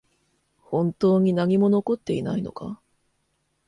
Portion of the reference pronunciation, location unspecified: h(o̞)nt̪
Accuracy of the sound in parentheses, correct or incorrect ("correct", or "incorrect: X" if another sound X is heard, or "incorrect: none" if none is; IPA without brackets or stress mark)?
incorrect: õ̞